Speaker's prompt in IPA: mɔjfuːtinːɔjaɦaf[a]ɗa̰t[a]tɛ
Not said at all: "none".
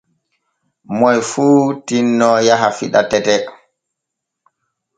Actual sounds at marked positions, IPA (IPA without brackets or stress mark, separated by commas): i, ɛ